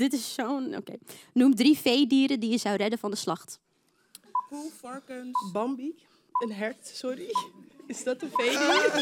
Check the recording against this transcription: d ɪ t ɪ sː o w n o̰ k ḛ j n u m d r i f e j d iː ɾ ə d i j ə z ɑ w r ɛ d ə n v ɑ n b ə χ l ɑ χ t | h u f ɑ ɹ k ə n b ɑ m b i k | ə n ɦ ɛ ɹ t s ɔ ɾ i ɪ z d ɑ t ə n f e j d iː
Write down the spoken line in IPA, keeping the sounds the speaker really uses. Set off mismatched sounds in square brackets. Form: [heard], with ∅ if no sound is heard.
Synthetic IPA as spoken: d ɪ t ɪ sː o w n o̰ k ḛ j n u m d r i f e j d iː ɾ ə d i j ə z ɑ w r ɛ d ə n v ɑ n [d] ə [s] l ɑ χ t | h u f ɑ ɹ k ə n b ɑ m b i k | ə n ɦ ɛ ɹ t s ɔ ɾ i ɪ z d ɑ t ə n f e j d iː